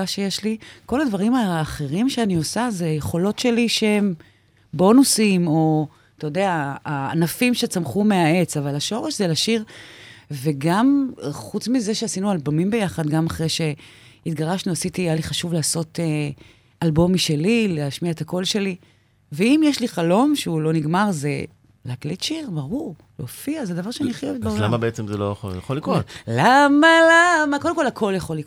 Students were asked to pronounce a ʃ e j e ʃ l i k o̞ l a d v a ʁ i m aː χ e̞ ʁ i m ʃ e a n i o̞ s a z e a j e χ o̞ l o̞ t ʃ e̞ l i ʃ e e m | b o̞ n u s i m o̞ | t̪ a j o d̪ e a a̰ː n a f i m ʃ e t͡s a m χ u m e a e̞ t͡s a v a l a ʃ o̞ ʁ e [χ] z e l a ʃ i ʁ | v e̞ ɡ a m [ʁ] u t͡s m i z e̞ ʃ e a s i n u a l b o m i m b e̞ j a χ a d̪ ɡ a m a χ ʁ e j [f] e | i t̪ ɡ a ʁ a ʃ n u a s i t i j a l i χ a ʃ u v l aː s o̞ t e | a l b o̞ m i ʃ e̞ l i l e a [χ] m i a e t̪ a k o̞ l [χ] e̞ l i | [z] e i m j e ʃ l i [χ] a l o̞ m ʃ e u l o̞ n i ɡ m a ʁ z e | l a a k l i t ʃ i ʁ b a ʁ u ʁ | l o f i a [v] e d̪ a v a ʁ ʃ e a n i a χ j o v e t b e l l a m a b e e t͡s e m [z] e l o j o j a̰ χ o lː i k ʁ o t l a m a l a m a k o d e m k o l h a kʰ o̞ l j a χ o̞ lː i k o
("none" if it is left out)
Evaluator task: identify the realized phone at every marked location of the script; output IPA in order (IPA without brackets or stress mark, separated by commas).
ʃ, χ, ʃ, ʃ, ʃ, v, χ, z, z